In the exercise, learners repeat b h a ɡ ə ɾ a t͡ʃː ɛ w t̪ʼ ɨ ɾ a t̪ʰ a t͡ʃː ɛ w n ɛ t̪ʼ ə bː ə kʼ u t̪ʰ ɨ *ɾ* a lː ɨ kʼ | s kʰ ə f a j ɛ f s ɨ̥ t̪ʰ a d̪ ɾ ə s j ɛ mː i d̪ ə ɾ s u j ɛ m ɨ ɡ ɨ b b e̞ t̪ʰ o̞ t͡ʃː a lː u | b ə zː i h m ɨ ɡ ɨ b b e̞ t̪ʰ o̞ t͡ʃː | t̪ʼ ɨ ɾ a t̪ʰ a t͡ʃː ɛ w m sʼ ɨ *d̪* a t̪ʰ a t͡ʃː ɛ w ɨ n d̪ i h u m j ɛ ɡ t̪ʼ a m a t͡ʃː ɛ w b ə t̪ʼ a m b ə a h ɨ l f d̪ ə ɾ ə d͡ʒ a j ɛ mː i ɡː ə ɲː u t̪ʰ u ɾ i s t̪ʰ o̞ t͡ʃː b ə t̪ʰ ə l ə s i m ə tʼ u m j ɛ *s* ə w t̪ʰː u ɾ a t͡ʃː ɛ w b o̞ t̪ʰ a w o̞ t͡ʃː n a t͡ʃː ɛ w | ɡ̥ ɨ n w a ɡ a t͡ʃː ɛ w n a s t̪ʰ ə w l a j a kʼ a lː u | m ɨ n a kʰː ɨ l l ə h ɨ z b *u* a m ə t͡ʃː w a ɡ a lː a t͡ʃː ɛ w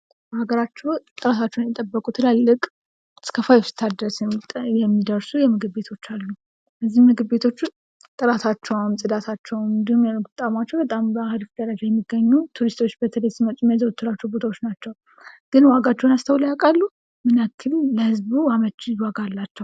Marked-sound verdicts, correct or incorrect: incorrect: l, correct, incorrect: z, correct

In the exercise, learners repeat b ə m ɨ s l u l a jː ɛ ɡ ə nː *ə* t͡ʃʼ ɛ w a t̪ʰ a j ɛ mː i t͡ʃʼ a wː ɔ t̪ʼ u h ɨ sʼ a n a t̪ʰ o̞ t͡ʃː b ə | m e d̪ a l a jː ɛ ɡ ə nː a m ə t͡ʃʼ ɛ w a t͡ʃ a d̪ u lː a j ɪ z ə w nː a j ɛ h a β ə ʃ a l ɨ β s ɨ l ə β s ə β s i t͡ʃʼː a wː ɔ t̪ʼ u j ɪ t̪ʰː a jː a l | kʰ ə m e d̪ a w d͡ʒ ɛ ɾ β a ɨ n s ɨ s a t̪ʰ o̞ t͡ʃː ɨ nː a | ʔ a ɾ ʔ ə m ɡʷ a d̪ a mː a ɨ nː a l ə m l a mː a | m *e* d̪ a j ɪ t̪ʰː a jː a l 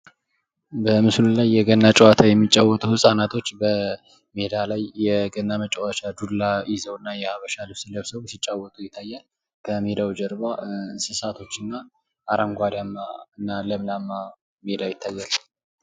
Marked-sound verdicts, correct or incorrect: incorrect: a, correct

